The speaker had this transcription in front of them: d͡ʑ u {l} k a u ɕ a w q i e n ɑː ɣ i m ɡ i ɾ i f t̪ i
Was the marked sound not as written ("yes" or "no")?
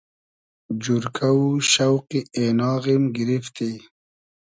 yes